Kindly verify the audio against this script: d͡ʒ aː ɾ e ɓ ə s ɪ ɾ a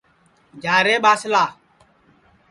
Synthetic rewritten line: d͡ʒ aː ɾ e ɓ a s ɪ l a